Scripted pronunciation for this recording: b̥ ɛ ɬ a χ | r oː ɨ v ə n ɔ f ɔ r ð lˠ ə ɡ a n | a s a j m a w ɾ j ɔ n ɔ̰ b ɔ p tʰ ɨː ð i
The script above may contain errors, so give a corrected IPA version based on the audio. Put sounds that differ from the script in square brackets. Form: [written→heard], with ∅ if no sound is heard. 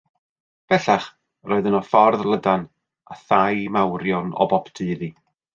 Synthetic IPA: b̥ ɛ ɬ a χ | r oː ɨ [v→ð] ə n ɔ f ɔ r ð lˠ ə [ɡ→d] a n | a [s→θ] a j m a w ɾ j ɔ n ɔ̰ b ɔ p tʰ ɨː ð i